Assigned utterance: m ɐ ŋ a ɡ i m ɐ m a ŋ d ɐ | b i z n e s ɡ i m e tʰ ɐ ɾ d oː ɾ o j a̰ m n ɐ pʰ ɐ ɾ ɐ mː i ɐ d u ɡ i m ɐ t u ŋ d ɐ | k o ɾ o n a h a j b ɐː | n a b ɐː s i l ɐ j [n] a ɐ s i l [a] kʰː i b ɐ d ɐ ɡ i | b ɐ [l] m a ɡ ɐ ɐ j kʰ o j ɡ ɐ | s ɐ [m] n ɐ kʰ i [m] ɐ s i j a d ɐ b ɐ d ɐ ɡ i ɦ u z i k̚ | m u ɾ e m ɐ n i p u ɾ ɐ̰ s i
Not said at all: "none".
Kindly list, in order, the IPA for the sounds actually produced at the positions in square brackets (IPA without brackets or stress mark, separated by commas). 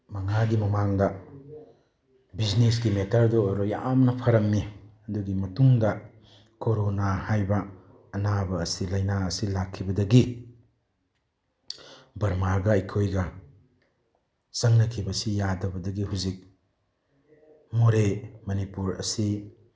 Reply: n, a, ɾ, ŋ, b